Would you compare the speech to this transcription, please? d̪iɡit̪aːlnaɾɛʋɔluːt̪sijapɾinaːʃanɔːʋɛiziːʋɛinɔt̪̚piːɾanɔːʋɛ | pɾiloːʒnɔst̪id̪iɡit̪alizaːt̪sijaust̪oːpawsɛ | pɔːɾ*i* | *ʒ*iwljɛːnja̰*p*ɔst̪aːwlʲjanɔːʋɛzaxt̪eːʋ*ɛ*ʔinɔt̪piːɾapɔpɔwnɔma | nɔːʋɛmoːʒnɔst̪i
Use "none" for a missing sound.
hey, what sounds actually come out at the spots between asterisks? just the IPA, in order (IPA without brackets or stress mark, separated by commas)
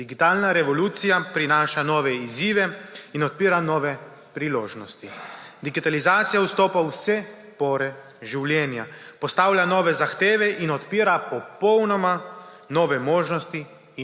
ɛ, ʒ, p, ɛ